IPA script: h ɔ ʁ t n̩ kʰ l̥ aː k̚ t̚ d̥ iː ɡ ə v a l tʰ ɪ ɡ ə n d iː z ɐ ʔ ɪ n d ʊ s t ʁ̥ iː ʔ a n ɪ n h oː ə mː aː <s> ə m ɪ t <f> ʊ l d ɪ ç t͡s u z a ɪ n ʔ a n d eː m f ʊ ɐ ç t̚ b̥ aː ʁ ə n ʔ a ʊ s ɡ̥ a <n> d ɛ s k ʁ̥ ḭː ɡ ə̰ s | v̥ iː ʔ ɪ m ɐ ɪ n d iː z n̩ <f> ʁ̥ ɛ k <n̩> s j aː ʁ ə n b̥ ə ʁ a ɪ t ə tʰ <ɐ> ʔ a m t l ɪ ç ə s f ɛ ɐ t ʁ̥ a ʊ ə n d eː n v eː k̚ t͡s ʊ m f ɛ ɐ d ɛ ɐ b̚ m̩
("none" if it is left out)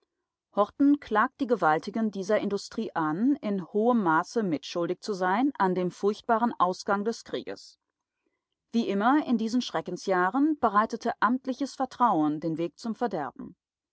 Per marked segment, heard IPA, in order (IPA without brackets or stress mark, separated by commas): s, ʃ, ŋ, ʃ, n̩, ə